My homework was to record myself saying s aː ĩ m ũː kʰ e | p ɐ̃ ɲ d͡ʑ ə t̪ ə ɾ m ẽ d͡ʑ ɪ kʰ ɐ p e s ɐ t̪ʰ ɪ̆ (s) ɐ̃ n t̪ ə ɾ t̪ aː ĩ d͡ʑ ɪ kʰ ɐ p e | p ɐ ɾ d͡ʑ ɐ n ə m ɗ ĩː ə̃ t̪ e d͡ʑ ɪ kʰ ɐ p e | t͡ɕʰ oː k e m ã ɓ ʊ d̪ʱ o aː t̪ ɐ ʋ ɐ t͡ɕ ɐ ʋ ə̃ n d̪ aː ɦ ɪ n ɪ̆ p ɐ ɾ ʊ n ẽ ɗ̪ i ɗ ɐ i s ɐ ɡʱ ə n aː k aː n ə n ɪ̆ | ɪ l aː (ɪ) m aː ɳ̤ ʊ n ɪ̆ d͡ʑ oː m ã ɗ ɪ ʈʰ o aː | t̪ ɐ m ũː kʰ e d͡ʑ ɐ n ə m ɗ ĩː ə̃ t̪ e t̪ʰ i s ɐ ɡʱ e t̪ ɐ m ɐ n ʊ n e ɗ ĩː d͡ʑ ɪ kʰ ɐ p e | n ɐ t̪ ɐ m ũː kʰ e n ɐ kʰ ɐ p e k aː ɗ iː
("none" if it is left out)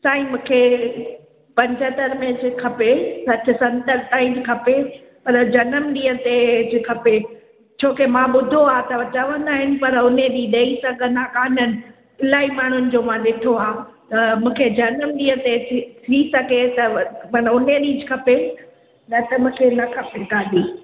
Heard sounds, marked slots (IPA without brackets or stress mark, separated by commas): s, i